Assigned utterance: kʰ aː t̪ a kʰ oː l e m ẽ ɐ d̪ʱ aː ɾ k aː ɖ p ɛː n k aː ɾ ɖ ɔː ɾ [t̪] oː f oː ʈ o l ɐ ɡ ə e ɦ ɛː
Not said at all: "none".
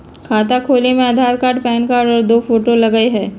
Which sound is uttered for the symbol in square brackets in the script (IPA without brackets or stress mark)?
d̪